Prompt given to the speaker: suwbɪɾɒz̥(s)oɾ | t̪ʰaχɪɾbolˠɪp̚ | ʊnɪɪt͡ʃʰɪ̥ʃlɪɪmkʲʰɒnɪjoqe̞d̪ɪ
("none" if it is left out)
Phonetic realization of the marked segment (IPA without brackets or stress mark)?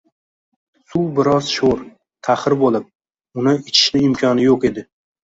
ʃ